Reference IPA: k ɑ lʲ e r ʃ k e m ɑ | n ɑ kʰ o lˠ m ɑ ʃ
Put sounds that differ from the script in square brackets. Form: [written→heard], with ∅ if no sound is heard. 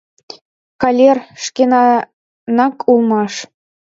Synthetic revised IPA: k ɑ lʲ e r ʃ k e [m→n] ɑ | n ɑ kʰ [o→u] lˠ m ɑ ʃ